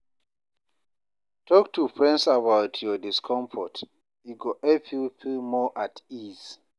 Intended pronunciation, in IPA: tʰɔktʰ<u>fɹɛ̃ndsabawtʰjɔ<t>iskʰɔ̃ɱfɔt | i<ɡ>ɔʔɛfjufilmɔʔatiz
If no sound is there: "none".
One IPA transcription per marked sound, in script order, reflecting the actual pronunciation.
u, d, ɡ

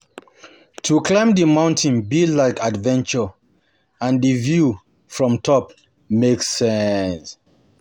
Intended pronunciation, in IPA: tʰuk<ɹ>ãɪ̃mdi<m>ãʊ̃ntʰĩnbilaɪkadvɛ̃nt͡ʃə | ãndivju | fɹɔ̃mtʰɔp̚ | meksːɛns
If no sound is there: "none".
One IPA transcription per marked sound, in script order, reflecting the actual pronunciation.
l, m

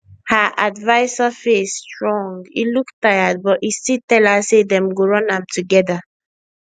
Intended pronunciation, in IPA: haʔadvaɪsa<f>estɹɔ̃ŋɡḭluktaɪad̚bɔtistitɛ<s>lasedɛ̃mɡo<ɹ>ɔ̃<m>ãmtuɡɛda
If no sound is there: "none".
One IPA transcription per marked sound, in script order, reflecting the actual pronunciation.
f, none, ɹ, n

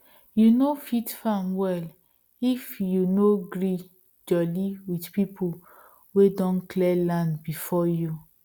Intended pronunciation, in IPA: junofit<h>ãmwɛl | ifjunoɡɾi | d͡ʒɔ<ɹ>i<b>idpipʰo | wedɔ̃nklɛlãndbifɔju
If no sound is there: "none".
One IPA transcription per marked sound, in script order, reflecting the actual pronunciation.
f, l, w

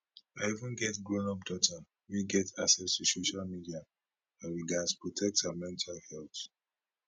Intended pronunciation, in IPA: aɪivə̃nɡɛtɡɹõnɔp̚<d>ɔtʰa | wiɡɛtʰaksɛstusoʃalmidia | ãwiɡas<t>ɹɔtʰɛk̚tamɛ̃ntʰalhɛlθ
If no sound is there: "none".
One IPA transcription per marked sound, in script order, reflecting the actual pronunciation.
d, p

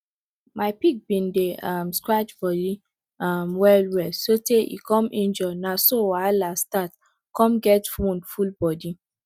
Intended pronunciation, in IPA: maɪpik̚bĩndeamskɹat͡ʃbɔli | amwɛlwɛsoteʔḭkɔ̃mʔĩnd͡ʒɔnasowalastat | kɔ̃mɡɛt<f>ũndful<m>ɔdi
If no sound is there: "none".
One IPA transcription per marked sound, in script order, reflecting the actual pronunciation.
f, b

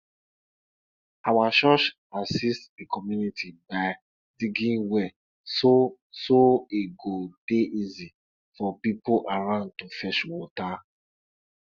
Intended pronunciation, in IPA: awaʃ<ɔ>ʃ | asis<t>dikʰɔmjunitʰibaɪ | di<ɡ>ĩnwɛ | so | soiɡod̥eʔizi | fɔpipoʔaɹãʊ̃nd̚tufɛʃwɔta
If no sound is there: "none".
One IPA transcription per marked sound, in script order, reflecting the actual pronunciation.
ɔ, t, ɡ

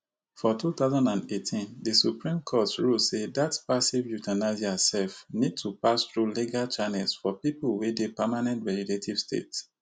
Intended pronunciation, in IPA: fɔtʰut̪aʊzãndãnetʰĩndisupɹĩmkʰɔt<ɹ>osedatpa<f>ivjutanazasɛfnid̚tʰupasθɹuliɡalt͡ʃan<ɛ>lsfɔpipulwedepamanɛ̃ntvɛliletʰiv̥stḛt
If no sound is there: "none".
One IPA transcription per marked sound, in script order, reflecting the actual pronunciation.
ɹ, s, ɛ

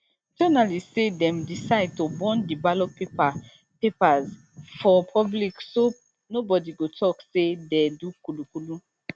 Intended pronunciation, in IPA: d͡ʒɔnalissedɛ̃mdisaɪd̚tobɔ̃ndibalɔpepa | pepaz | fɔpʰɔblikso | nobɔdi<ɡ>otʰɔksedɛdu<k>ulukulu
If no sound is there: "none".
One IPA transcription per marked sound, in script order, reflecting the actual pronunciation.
ɡ, k

